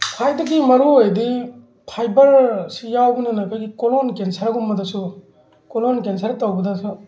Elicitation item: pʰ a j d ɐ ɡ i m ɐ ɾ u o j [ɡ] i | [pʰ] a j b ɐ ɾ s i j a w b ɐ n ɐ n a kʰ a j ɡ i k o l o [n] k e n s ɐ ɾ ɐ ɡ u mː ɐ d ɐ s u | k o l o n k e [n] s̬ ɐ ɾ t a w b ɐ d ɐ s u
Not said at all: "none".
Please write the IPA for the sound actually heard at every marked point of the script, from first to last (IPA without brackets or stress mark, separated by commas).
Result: d, pʰ, n, n